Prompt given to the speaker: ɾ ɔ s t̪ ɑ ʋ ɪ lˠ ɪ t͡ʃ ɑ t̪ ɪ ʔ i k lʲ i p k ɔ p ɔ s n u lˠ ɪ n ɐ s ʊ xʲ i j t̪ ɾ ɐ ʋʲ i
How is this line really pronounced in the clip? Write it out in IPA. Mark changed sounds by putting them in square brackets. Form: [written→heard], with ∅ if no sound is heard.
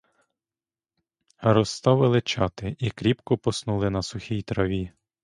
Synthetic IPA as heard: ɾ ɔ s t̪ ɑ ʋ ɪ lˠ ɪ t͡ʃ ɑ t̪ ɪ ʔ i k [lʲ→ɾʲ] i p k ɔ p ɔ s n u lˠ ɪ n ɐ s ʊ xʲ i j t̪ ɾ ɐ ʋʲ i